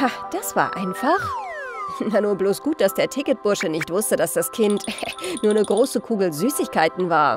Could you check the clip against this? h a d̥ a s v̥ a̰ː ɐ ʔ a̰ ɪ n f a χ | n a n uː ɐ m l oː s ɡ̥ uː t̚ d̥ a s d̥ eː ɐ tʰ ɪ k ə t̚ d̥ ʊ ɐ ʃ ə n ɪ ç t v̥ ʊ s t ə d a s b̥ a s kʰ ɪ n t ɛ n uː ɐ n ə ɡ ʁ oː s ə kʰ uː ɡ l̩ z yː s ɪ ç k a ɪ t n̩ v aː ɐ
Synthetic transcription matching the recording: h a d̥ a s v̥ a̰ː ɐ ʔ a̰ ɪ n f a χ | n a n uː ɐ b l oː s ɡ̥ uː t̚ d̥ a s d̥ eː ɐ tʰ ɪ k ə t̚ b̥ ʊ ɐ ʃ ə n ɪ ç t v̥ ʊ s t ə d a s d̥ a s kʰ ɪ n t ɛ n uː ɐ n ə ɡ ʁ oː s ə kʰ uː ɡ l̩ z yː s ɪ ç k a ɪ t n̩ v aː ɐ